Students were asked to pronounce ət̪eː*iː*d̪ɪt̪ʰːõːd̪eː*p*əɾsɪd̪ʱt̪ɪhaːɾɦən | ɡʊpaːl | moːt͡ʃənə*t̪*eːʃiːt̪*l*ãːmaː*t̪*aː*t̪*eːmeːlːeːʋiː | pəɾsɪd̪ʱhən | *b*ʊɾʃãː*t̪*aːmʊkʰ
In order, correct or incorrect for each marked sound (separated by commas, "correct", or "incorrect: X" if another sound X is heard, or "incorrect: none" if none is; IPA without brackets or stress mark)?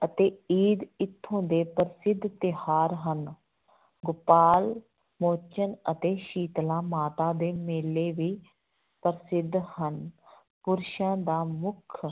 correct, correct, correct, correct, correct, incorrect: d̪, incorrect: p, incorrect: d̪